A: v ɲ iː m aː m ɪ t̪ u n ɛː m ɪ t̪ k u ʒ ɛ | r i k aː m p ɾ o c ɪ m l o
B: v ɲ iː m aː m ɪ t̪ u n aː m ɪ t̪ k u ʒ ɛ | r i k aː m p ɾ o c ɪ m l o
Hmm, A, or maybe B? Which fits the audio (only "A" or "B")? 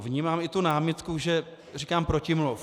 B